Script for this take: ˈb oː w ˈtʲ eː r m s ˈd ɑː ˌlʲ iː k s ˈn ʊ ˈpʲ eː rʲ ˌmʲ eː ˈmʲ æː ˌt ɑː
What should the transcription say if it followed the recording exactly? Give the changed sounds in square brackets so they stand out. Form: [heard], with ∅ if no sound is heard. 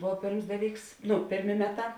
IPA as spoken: ˈb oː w [ˈpʲ] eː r m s ˈd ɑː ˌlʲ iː k s ˈn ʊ ˈpʲ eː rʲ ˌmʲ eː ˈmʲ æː ˌt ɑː